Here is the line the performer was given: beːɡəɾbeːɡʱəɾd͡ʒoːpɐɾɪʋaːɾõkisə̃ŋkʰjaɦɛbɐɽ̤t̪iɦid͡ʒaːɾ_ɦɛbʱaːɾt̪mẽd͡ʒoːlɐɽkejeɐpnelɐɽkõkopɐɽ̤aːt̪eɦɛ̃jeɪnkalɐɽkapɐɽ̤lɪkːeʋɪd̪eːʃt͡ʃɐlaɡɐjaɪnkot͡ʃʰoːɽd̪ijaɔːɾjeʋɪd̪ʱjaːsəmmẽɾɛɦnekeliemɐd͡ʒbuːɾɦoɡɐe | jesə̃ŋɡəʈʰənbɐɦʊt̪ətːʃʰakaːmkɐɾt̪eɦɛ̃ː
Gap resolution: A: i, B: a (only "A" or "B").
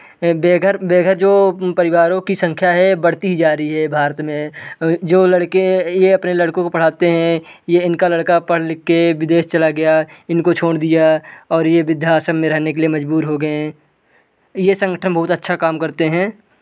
A